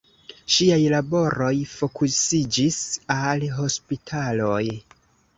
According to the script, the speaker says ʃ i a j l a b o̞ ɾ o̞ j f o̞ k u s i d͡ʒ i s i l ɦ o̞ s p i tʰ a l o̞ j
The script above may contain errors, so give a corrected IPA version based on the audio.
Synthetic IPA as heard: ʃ i a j l a b o̞ ɾ o̞ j f o̞ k u s i d͡ʒ i s a l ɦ o̞ s p i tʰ a l o̞ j